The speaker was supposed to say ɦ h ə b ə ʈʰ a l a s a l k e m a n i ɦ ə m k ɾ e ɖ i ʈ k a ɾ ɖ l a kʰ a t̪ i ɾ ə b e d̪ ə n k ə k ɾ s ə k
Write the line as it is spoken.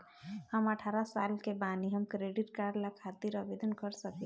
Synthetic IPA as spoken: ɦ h ə m ə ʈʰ a ɾ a s a l k e b a n i ɦ ə m k ɾ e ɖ i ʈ k a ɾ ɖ l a kʰ a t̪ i ɾ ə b e d̪ ə n k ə ɾ s ə k